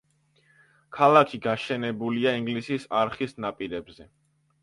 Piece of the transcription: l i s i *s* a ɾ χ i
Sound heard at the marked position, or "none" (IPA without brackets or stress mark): s